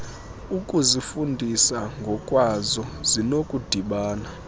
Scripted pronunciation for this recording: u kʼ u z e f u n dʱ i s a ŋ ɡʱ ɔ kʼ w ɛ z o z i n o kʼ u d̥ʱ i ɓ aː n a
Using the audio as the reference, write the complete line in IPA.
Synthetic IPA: u kʼ u z i f u n dʱ i s a ŋ ɡʱ ɔ kʼ w a z ɔ z i n o kʼ u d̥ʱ i ɓ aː n a

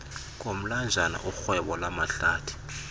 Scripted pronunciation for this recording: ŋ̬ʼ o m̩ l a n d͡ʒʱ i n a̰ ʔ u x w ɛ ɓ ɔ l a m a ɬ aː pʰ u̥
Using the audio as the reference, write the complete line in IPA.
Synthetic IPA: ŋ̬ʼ o m̩ l a n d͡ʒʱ a n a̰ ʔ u x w ɛ ɓ ɔ l a m a ɬ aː tʰ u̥

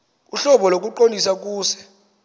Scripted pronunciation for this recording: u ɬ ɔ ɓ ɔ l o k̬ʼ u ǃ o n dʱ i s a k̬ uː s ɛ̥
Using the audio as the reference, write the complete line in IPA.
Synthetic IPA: u ɬ ɔ ɓ ɔ l o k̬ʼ u ǃ o n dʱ i s a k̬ uː s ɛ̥

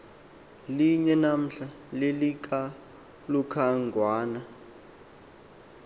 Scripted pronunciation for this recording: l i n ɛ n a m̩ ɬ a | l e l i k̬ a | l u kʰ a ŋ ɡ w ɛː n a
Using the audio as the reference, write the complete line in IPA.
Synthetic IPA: l i ɲ ɛ n a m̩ ɬ a | l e l i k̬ a | l u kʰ a ŋ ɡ w aː n a

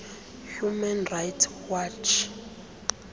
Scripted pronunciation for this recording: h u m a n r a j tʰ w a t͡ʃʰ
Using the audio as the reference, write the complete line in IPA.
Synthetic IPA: h u m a n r a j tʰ w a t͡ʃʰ

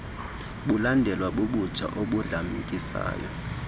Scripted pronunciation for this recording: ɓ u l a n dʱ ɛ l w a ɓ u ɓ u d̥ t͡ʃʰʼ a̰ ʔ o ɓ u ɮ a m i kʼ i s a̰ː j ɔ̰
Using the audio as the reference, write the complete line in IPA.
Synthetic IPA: ɓ u l a n dʱ ɛ l w a ɓ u ɓ u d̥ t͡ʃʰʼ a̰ ʔ o ɓ u ɮ a m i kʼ i s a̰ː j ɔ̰

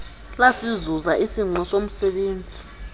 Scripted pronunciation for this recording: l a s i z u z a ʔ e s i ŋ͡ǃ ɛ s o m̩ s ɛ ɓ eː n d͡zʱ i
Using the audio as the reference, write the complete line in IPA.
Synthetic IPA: l a s i z u z a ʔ i s i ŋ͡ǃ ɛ s o m̩ s ɛ ɓ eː n d͡zʱ i

